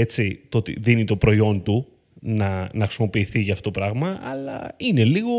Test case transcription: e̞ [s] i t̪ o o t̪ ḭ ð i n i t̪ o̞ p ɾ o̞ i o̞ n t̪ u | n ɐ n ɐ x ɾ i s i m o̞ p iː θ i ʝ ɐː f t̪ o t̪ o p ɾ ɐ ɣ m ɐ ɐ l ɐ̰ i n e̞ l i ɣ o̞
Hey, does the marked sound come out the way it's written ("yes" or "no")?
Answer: no